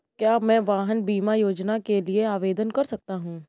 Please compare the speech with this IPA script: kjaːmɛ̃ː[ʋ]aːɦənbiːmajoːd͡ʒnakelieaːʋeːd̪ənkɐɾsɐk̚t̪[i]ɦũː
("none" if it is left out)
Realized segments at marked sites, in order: ʋ, a

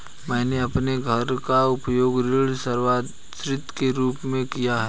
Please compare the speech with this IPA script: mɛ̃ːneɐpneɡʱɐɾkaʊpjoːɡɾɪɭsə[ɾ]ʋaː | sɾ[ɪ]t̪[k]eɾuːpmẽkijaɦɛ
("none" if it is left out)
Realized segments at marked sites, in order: ɾ, ɪ, k

